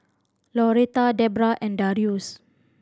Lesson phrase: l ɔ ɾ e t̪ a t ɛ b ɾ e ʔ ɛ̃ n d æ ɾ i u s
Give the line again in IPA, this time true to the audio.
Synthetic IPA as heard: l ɔ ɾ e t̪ a d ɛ b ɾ a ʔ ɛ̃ n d a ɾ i u s